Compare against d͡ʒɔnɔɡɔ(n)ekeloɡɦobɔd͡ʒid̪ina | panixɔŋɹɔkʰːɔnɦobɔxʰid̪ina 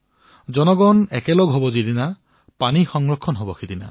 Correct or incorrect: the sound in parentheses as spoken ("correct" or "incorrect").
correct